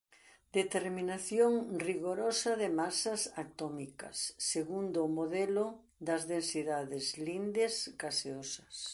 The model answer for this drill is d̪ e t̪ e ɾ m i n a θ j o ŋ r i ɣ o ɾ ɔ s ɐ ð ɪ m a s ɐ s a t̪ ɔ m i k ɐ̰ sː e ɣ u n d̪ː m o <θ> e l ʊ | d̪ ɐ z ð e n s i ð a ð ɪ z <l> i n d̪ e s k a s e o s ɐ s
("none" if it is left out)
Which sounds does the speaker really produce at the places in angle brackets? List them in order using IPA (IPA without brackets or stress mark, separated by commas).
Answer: ð, l